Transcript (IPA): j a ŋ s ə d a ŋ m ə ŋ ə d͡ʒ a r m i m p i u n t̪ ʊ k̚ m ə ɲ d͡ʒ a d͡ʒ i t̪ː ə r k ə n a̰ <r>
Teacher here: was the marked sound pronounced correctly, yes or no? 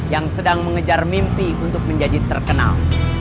no